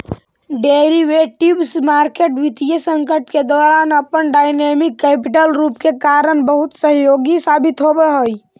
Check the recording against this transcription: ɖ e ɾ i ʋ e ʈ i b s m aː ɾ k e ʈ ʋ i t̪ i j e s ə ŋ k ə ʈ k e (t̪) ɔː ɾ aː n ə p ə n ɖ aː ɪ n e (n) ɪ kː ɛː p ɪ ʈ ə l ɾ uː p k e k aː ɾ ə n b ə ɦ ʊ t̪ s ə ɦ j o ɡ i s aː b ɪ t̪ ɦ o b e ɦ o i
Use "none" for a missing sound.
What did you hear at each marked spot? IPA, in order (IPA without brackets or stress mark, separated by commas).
d̪, m